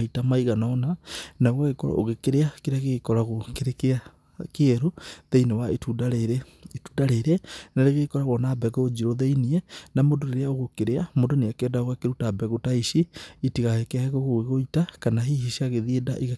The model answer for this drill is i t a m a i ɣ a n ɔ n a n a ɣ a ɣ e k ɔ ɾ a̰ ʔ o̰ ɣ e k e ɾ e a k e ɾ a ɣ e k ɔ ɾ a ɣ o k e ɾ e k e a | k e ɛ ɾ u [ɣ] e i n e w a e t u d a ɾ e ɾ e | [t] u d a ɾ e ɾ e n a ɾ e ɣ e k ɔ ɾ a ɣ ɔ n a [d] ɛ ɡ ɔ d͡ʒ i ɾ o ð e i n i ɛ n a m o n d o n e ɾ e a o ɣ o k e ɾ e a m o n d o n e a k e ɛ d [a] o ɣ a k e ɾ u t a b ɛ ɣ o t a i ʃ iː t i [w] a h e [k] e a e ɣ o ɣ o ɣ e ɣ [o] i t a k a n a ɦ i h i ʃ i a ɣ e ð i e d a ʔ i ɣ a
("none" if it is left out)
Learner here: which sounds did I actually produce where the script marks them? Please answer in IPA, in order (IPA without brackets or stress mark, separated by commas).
ð, t, b, a, ɣ, k, o